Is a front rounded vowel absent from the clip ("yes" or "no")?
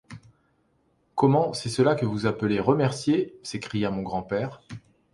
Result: yes